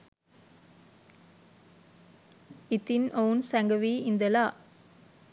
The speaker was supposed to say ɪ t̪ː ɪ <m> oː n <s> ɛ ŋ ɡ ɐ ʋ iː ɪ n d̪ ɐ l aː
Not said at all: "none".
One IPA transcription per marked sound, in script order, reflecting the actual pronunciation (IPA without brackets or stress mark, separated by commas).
n, s